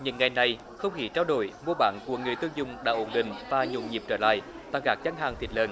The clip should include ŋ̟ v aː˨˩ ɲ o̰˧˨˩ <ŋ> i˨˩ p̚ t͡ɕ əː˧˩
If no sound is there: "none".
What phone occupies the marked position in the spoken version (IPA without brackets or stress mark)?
ɲ